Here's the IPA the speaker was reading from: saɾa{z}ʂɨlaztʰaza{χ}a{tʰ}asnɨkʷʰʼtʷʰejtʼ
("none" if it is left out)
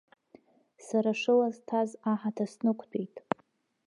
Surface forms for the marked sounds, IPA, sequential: none, ħ, tʰ

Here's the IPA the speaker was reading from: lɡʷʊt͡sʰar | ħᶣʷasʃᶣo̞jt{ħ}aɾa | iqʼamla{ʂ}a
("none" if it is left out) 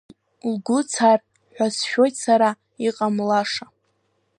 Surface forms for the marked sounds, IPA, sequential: s, ʂ

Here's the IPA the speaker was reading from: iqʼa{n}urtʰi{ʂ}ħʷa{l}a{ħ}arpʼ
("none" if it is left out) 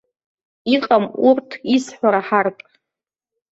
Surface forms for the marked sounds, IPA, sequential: m, s, ɾ, ħ

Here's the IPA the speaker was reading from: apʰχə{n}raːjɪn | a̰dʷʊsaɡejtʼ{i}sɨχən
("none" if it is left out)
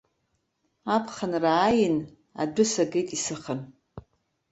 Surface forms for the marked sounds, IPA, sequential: n, i

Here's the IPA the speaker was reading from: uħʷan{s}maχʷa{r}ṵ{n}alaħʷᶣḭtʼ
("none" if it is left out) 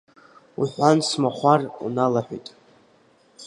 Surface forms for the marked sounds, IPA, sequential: s, r, n

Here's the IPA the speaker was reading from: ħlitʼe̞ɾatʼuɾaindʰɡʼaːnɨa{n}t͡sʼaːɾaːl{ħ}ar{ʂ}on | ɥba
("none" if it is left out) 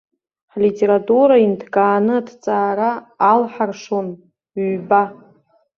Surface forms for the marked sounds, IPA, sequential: d, ħ, ʂ

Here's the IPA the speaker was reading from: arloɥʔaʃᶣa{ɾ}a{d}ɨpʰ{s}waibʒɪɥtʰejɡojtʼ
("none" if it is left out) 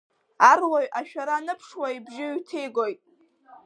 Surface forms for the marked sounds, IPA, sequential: ɾ, n, ʂ

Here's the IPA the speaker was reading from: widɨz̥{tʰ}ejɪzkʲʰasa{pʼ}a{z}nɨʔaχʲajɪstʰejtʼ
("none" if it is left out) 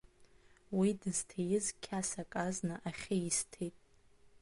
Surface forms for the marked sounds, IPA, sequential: tʰ, kʼ, z

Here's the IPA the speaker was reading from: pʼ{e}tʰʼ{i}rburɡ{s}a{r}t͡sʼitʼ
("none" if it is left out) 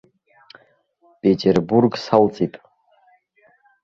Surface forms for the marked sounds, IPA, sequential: e, e, s, l

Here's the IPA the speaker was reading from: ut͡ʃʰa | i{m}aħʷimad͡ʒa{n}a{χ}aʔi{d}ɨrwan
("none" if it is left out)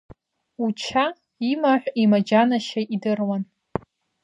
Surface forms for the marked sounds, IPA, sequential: m, n, ʃ, d

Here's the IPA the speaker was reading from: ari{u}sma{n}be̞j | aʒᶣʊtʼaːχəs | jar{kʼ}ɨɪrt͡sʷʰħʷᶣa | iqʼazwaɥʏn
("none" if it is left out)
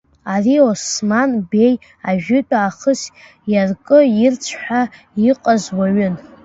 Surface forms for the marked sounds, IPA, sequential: o, n, kʼ

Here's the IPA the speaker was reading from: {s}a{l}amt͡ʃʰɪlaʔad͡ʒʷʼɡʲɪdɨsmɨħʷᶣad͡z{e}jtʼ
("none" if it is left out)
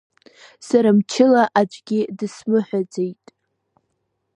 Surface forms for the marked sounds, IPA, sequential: s, ɾ, e

